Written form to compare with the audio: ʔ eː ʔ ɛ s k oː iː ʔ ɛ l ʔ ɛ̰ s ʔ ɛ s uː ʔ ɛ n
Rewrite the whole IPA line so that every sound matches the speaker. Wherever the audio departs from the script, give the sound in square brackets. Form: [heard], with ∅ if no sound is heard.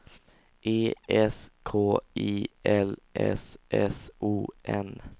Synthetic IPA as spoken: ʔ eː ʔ ɛ s [kʰ] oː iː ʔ ɛ l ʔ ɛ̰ s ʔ ɛ s uː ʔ ɛ n